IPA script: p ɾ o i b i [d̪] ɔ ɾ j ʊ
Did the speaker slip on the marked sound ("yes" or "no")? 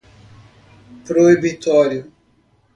yes